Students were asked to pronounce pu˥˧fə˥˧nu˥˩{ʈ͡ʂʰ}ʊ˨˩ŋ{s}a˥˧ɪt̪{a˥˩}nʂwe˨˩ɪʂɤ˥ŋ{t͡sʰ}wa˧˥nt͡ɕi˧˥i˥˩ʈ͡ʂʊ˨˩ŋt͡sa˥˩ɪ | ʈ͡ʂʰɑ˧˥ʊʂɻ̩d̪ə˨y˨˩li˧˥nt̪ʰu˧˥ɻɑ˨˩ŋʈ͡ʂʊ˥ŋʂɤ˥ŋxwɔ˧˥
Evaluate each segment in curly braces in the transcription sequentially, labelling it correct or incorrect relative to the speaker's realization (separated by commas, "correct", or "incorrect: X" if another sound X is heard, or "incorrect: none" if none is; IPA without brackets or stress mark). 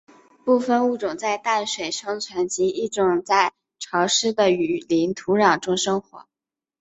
incorrect: ʈ͡ʂ, incorrect: t͡s, correct, correct